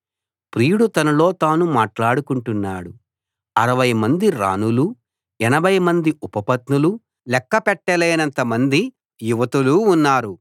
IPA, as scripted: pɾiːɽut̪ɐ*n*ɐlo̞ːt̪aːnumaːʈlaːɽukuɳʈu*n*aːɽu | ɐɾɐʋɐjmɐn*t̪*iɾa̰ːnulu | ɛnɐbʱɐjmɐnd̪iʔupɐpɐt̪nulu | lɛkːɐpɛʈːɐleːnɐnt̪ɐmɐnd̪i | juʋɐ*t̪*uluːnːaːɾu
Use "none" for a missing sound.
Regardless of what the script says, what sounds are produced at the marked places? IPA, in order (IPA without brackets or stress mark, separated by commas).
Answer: n, nː, d̪, t̪